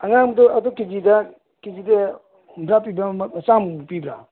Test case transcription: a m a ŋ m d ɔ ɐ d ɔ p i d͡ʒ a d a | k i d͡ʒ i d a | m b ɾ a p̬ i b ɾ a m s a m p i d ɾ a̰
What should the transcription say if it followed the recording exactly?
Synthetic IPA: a ŋ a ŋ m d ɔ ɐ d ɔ k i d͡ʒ i d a | k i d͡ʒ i d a | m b ɾ a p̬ i b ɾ a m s a m p i b ɾ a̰